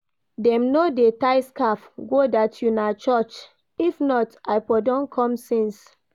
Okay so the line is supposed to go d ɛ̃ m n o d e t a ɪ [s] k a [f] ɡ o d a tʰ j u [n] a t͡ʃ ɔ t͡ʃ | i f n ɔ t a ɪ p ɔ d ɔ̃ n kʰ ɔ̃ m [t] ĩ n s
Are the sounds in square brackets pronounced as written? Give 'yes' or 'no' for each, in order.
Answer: yes, yes, yes, no

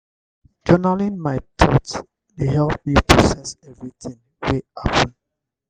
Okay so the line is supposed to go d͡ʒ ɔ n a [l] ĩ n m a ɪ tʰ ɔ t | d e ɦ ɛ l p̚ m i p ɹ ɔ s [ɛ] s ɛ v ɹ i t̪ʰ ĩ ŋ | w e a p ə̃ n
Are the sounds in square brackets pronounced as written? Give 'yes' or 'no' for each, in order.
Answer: yes, yes

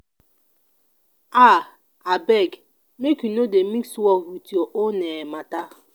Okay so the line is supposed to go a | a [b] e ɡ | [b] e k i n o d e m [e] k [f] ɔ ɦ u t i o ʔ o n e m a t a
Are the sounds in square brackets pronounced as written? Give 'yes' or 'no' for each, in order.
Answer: yes, no, no, no

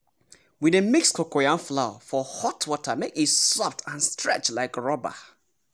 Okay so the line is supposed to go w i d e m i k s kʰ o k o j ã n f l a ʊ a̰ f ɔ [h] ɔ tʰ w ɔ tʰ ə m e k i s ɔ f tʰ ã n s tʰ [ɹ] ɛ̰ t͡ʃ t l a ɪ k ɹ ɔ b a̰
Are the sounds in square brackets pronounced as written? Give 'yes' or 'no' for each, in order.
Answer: yes, yes

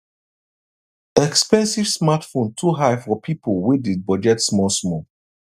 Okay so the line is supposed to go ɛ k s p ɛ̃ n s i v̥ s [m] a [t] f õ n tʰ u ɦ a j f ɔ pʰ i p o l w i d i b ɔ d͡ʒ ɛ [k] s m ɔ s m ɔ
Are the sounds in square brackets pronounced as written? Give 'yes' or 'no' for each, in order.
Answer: yes, yes, no

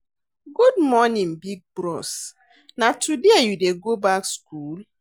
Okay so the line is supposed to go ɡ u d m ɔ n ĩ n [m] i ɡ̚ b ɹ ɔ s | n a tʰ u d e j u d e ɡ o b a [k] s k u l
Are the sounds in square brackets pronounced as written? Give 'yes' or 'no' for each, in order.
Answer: no, yes

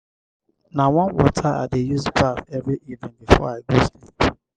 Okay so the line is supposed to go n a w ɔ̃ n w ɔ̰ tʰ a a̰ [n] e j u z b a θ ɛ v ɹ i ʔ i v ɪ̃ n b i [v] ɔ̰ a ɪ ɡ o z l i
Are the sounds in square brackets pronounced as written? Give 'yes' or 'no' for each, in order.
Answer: no, no

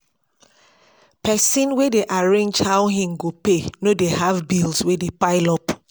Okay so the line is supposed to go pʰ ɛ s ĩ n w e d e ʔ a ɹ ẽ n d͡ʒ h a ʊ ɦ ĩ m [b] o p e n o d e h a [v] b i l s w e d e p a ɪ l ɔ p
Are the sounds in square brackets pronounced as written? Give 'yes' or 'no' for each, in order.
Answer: no, yes

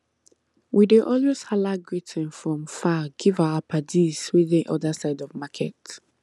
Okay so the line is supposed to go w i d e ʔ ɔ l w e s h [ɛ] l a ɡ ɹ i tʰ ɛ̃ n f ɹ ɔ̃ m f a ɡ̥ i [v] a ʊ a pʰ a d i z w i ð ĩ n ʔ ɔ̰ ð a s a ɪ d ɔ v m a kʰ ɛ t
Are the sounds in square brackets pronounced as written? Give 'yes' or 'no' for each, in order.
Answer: no, yes

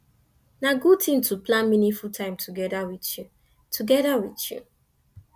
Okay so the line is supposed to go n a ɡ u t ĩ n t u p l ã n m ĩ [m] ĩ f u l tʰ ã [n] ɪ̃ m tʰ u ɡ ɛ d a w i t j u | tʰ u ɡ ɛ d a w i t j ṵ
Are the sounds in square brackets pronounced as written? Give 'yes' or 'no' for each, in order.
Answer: no, no

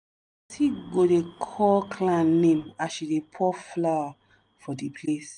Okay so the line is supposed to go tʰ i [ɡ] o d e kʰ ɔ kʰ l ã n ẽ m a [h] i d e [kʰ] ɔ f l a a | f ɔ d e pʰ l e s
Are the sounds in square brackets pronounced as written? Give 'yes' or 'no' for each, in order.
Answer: yes, no, no

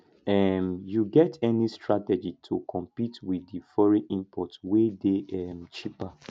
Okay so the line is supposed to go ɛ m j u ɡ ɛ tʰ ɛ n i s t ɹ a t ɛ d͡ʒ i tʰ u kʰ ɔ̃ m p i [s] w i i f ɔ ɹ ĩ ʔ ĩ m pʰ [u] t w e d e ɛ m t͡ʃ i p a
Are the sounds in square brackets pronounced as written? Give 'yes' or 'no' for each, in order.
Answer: no, no

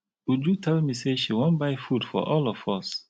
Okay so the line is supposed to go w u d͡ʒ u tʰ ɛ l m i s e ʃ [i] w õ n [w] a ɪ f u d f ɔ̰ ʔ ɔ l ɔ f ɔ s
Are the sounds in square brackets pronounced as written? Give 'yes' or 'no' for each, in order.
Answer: yes, no

